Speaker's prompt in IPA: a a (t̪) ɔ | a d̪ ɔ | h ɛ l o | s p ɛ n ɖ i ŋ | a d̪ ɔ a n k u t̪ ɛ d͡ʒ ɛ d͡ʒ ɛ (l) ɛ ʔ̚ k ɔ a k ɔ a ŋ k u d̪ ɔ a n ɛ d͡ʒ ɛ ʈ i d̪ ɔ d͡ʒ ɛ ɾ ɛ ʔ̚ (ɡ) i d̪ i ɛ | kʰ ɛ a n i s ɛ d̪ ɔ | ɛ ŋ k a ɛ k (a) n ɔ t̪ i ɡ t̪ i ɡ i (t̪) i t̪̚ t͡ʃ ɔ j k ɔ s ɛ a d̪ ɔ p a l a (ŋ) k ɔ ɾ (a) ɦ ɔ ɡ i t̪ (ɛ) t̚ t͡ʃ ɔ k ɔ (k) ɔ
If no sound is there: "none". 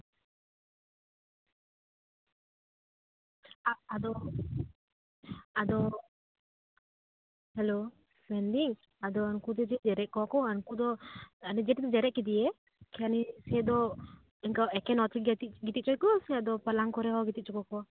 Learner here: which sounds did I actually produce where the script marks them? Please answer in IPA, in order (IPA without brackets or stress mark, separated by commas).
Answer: d̪, ɾ, k, ɛ, t̪, ŋ, ɛ, i, k